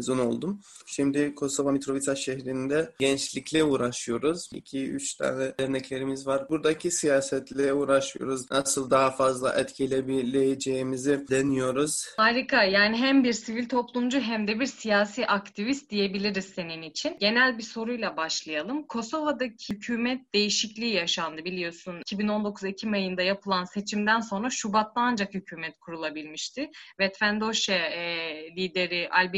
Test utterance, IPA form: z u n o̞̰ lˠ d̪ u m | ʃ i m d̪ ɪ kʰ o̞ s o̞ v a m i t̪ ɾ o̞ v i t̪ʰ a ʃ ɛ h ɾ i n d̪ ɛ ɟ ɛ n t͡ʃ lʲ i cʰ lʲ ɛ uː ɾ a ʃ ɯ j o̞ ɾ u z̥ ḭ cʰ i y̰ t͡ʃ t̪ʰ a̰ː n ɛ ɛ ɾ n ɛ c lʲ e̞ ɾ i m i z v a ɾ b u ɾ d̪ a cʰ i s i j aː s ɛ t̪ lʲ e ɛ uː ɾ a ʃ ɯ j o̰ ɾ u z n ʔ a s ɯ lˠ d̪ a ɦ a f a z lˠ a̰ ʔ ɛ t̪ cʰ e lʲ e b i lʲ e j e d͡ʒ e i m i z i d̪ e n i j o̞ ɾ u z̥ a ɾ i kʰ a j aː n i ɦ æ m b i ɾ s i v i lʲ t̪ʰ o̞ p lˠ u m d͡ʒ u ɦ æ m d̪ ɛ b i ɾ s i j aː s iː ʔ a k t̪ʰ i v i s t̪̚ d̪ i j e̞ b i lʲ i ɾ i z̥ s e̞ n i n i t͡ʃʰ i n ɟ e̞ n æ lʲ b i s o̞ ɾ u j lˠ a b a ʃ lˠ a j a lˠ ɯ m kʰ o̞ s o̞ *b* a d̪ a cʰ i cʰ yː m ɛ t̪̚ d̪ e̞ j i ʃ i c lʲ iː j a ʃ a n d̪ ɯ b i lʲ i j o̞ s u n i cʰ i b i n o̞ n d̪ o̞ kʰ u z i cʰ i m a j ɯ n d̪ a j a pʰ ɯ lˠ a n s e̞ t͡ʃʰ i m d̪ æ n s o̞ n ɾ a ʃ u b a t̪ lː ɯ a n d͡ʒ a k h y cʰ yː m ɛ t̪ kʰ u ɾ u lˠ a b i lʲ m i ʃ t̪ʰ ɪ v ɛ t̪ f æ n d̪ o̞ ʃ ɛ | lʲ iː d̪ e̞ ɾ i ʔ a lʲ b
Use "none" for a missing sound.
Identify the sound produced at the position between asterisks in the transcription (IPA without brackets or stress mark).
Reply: v